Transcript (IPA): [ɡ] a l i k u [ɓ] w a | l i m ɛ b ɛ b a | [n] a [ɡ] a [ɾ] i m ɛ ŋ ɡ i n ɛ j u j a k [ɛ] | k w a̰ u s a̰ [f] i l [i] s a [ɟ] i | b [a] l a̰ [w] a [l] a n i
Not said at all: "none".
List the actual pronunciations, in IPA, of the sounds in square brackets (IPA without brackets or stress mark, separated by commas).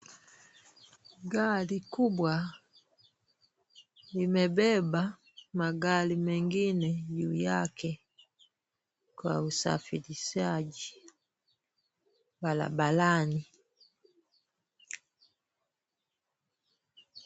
ɡ, b, m, ɡ, l, ɛ, f, i, ɟ, a, b, l